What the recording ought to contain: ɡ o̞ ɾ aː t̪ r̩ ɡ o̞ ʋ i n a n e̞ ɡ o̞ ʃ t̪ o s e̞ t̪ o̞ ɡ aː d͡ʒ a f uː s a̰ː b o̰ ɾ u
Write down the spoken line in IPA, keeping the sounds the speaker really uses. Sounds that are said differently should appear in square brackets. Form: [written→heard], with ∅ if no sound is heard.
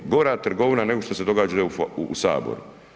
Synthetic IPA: ɡ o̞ ɾ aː t̪ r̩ ɡ o̞ ʋ i n a n e̞ ɡ o̞ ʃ t̪ o s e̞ [t̪→d̪] o̞ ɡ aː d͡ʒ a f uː s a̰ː b o̰ ɾ u